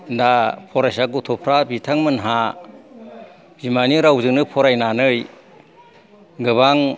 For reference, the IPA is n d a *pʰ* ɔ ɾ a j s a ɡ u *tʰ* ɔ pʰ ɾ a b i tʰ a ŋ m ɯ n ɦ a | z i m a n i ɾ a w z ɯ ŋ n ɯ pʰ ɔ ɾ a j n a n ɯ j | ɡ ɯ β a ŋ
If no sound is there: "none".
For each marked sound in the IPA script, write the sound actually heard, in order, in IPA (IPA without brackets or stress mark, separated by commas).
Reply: pʰ, tʰ